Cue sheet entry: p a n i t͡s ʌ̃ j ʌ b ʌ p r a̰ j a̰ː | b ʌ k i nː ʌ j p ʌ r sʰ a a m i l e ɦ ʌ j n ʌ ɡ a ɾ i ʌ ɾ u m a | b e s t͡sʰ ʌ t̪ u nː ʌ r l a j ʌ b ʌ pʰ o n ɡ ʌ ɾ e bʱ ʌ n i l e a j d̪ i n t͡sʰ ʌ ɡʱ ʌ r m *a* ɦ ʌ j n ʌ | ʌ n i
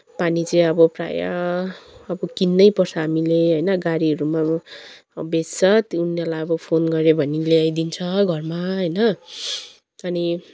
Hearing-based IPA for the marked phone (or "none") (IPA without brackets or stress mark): a